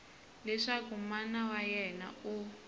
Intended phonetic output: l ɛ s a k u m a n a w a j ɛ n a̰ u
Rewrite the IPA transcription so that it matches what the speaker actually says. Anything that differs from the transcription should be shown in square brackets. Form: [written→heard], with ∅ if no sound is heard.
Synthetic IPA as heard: l ɛ [s→ʂ] a k u m a n a w a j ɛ n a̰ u